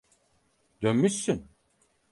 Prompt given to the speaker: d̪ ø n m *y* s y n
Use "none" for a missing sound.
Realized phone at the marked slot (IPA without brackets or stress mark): y